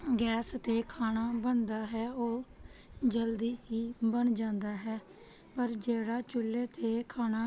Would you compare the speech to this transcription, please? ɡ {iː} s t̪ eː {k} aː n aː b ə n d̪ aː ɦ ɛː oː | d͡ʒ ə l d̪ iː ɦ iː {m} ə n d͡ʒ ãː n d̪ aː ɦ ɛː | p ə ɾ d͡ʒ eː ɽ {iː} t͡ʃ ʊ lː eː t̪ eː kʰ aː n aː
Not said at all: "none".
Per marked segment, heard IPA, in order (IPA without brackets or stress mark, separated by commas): ɛː, kʰ, b, aː